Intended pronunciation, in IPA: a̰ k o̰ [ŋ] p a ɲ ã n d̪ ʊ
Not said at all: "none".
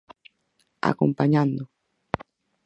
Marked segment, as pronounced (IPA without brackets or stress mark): m